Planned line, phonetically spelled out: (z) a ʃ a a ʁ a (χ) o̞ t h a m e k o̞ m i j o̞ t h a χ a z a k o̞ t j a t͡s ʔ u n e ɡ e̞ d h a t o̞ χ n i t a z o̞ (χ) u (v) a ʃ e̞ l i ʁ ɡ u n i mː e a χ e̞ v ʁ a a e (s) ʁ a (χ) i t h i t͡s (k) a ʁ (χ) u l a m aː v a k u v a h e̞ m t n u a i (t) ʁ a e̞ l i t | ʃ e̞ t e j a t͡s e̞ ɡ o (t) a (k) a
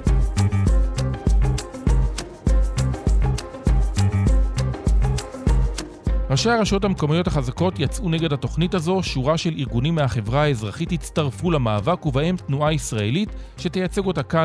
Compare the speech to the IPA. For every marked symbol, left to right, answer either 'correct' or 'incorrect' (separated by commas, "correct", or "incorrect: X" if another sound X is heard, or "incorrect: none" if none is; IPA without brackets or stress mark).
incorrect: ʁ, incorrect: ʃ, incorrect: ʃ, incorrect: ʁ, incorrect: z, correct, incorrect: t, incorrect: f, incorrect: s, correct, correct